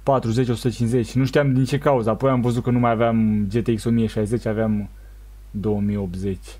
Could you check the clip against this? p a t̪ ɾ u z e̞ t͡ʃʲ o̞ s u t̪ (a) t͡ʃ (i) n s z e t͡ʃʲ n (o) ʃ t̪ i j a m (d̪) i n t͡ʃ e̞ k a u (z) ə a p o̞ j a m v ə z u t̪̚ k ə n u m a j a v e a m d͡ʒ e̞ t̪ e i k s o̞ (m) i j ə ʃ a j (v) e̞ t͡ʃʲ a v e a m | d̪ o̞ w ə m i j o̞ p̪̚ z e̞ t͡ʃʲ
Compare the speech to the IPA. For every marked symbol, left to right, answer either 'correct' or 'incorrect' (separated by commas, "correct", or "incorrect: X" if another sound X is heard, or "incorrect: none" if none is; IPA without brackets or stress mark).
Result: incorrect: ə, correct, incorrect: u, correct, correct, correct, incorrect: z